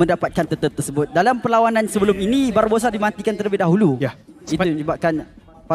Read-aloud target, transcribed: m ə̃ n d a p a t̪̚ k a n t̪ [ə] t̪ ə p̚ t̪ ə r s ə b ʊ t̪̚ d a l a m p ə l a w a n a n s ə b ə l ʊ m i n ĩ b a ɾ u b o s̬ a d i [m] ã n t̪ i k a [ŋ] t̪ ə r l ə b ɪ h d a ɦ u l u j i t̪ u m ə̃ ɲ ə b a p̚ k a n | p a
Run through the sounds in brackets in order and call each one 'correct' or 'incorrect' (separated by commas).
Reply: correct, correct, incorrect